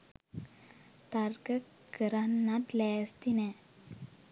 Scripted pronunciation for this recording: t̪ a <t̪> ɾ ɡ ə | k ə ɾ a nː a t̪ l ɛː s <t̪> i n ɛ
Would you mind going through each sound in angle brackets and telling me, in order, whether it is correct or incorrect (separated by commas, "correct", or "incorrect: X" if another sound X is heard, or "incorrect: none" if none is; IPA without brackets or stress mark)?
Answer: incorrect: none, correct